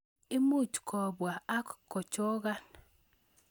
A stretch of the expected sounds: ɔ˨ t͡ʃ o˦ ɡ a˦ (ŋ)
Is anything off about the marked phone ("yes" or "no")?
yes